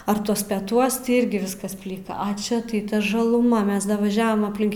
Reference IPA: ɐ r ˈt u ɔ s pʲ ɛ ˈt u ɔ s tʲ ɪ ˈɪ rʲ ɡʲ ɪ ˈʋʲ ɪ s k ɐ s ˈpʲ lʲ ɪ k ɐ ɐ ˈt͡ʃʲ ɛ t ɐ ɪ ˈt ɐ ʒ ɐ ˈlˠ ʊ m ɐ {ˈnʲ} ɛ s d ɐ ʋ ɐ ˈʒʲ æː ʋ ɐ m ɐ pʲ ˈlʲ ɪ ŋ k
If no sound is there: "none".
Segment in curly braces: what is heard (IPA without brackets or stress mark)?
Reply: mʲ